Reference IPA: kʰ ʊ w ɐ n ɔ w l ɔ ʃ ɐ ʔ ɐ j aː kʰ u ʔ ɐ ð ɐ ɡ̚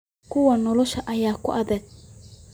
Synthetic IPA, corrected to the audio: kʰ ʊ w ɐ n ɔ l ɔ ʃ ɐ ʔ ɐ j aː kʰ ʊ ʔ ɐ ð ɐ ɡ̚